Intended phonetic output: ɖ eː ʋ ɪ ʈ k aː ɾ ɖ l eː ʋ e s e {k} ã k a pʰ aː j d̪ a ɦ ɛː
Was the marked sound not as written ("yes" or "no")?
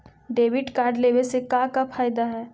no